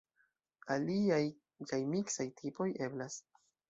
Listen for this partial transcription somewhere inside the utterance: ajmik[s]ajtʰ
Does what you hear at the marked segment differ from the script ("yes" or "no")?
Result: no